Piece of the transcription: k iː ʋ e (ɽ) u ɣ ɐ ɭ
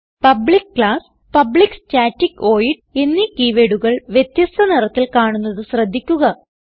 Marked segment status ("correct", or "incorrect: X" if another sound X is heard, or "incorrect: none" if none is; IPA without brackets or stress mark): correct